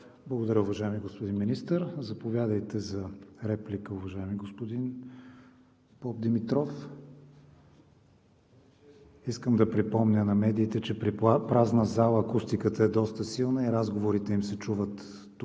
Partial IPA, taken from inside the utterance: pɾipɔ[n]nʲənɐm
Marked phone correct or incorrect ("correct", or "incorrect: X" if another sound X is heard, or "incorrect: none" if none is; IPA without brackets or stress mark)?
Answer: incorrect: m